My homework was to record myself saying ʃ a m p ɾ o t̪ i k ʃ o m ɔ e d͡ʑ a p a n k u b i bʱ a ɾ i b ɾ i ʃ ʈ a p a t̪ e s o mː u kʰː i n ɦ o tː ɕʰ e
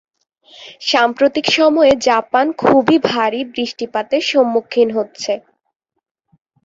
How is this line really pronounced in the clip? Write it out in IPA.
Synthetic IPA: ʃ a m p ɾ o t̪ i k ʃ ɔ m ɔ e d͡ʑ a p a n kʰ u b i bʱ a ɾ i b ɾ i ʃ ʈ i p a t̪ e ʃ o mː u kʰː i n ɦ o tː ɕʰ e

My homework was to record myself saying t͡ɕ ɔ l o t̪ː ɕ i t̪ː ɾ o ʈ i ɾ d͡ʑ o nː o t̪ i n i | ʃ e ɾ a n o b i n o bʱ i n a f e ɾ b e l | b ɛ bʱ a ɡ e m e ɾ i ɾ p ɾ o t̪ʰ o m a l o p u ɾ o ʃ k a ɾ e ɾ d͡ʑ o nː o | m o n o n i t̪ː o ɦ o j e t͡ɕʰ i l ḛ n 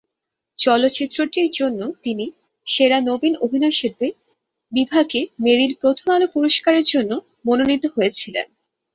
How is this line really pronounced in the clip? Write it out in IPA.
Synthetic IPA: t͡ɕ ɔ l o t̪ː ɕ i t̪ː ɾ o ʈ i ɾ d͡ʑ o nː o t̪ i n i | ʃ e ɾ a n o b i n o bʱ i n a ʃ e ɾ b e | b i bʱ a ɡ e m e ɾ i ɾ p ɾ o t̪ʰ o m a l o p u ɾ o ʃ k a ɾ e ɾ d͡ʑ o nː o | m o n o n i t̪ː o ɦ o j e t͡ɕʰ i l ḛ n

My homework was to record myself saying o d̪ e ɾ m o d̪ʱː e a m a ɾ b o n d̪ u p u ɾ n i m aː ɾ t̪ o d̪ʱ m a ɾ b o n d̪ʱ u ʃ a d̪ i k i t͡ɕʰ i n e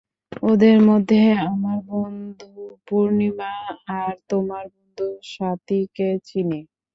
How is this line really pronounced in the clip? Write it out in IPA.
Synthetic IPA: o d̪ e ɾ m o d̪ʱː e a m a ɾ b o n d̪ u p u ɾ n i m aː ɾ t̪ o m a ɾ b o n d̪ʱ u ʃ a t̪ i k e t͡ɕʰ i n e

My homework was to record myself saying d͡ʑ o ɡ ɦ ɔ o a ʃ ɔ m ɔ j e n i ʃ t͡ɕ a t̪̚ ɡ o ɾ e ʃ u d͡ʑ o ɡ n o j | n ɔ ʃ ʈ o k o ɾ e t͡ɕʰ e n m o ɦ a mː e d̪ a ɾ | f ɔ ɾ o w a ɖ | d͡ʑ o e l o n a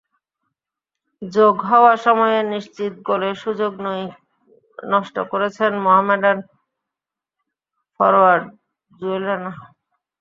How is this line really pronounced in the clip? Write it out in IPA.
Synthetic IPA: d͡ʑ o ɡ ɦ ɔ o a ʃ ɔ m ɔ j e n i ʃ t͡ɕ i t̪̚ ɡ o l e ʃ u d͡ʑ o ɡ n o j | n ɔ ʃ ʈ o k o ɾ e t͡ɕʰ e n m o ɦ a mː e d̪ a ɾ | f ɔ ɾ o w a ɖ | d͡ʑ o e l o n a

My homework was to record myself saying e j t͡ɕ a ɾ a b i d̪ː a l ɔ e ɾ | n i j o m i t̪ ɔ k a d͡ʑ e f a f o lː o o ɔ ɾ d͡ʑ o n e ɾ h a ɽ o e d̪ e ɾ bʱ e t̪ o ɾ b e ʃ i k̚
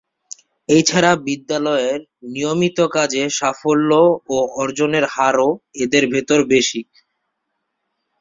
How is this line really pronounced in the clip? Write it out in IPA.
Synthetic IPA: e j t͡ɕʰ a ɾ a b i d̪ː a l ɔ e ɾ | n i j o m i t̪ o k a d͡ʑ e ʃ a f o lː o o ɔ ɾ d͡ʑ o n e ɾ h a ɾ o e d̪ e ɾ bʱ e t̪ o ɾ b e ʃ i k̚

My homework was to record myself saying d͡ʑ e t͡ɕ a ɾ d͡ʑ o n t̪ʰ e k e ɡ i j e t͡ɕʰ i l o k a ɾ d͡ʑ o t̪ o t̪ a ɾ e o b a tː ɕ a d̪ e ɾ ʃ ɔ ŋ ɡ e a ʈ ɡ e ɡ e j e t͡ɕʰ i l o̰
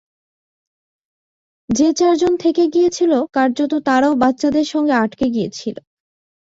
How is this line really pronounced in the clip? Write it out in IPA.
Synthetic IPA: d͡ʑ e t͡ɕ a ɾ d͡ʑ o n t̪ʰ e k e ɡ i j e t͡ɕʰ i l o k a ɾ d͡ʑ o t̪ o t̪ a ɾ a o b a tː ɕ a d̪ e ɾ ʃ ɔ ŋ ɡ e a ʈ k e ɡ i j e t͡ɕʰ i l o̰

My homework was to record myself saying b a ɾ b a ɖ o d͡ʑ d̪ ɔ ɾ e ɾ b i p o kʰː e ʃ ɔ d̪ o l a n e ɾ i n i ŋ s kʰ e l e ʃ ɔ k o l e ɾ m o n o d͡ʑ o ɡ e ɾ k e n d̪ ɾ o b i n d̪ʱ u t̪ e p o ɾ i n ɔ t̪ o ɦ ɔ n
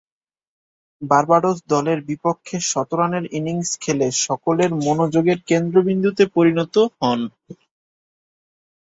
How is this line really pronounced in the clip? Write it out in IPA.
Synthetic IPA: b a ɾ b a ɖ o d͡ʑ d̪ ɔ l e ɾ b i p o kʰː e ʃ ɔ t̪ o ɾ a n e ɾ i n i ŋ s kʰ e l e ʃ ɔ k o l e ɾ m o n o d͡ʑ o ɡ e ɾ k e n d̪ ɾ o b i n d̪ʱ u t̪ e p o ɾ i n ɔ t̪ o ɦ ɔ n

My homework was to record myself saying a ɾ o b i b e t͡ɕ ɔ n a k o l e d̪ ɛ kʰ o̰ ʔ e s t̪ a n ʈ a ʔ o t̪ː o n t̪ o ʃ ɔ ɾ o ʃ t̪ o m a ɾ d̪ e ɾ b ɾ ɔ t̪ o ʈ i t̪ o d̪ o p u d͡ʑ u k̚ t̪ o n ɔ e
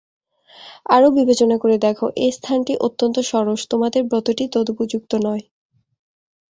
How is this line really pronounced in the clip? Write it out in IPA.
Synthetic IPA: a ɾ o b i b e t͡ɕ o n a k o ɾ e d̪ ɛ kʰ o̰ ʔ e s t̪ʰ a n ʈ i ʔ o t̪ː o n t̪ o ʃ ɔ ɾ o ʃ t̪ o m a d̪ e ɾ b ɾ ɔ t̪ o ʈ i t̪ o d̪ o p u d͡ʑ u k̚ t̪ o n ɔ e

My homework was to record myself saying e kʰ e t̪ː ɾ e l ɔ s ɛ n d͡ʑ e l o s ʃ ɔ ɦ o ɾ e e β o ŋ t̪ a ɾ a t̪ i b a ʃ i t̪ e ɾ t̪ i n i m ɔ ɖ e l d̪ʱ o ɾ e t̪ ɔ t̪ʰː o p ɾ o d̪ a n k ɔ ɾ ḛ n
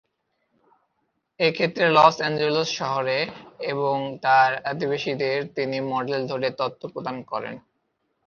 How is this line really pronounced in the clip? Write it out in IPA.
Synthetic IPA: e kʰ e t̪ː ɾ e l ɔ s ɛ n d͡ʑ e l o s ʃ ɔ ɦ o ɾ e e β o ŋ t̪ a ɾ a d̪ i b a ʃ i d̪ e ɾ t̪ i n i m ɔ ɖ e l d̪ʱ o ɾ e t̪ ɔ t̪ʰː o p ɾ o d̪ a n k ɔ ɾ ḛ n

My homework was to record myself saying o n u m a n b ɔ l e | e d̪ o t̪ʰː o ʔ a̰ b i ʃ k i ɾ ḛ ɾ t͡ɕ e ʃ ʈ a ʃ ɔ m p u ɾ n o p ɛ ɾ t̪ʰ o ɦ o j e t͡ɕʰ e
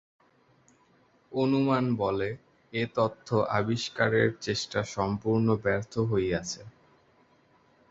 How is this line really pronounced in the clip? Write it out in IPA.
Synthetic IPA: o n u m a n b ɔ l e | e t̪ o t̪ʰː o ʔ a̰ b i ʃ k a ɾ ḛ ɾ t͡ɕ e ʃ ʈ a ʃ ɔ m p u ɾ n o b ɛ ɾ t̪ʰ o ɦ o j a t͡ɕʰ e

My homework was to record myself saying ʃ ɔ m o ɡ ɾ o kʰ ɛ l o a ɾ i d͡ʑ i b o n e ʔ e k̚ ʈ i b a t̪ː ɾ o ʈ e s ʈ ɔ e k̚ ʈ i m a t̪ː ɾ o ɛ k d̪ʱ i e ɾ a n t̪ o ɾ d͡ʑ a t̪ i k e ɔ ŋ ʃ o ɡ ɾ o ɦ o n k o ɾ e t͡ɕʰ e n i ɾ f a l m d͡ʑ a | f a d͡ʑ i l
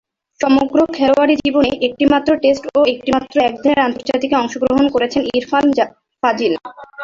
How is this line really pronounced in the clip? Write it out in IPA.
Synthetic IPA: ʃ ɔ m o ɡ ɾ o kʰ ɛ l o a ɾ i d͡ʑ i b o n e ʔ e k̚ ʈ i m a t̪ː ɾ o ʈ e s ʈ o e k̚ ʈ i m a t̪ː ɾ o ɛ k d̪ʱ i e ɾ a n t̪ o ɾ d͡ʑ a t̪ i k e ɔ ŋ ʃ o ɡ ɾ o ɦ o n k o ɾ e t͡ɕʰ e n i ɾ f a l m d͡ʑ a | f a d͡ʑ i l

